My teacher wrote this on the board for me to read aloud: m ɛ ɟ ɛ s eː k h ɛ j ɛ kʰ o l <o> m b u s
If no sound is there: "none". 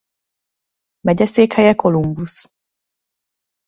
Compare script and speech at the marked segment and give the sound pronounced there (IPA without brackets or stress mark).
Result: u